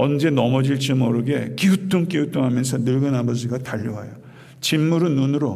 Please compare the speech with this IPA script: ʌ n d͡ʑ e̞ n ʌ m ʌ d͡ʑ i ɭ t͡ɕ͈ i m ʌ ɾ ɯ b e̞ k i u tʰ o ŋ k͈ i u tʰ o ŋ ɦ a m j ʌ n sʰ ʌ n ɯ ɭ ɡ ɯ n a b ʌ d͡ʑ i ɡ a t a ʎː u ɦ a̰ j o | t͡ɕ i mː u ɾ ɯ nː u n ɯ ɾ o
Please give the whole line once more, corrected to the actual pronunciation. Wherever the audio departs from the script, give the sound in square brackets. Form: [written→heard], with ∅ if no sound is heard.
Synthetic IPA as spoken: ʌ n d͡ʑ e̞ n ʌ m ʌ d͡ʑ i ɭ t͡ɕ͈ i m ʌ ɾ ɯ [b→ɡ] e̞ k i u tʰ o ŋ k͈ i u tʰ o ŋ ɦ a m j ʌ n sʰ ʌ n ɯ ɭ ɡ ɯ n a b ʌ d͡ʑ i ɡ a t a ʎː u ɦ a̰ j o | t͡ɕ i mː u ɾ ɯ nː u n ɯ ɾ o